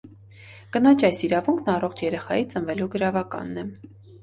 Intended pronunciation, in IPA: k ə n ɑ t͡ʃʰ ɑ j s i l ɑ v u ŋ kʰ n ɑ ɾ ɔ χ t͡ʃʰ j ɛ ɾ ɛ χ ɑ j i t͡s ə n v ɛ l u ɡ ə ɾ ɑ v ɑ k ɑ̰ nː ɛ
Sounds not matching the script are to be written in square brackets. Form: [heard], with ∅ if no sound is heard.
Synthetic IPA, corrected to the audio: k ə n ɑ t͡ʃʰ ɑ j s i [ɾ] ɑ v u ŋ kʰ n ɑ [r] ɔ χ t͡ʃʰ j ɛ ɾ ɛ χ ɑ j i t͡s ə n v ɛ l u ɡ ə ɾ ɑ v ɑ k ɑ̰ nː ɛ